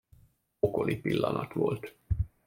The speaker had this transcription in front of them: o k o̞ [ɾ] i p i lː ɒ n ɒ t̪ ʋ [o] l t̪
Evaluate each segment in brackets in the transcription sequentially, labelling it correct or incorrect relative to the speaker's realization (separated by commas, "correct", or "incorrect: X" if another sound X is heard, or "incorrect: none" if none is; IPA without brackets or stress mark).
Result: incorrect: l, correct